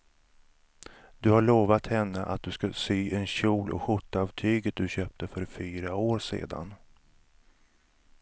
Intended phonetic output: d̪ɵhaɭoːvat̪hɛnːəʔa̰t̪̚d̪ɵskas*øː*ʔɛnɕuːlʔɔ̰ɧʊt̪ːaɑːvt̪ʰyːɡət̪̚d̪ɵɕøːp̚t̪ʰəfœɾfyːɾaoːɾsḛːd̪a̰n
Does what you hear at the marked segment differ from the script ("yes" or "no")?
yes